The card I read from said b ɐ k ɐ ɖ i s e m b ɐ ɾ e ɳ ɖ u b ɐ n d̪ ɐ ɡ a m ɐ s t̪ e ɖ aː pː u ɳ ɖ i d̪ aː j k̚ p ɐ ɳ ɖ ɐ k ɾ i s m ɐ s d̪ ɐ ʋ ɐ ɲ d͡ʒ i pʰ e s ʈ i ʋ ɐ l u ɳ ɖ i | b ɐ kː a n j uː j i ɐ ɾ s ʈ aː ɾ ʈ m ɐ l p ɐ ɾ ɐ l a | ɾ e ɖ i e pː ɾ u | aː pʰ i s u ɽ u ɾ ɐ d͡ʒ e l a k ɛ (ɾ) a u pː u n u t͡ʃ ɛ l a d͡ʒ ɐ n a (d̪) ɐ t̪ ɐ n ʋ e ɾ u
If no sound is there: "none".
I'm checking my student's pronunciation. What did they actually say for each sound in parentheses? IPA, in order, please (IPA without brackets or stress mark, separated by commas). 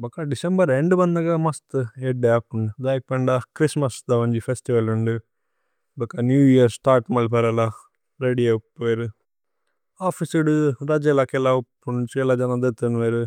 l, d̪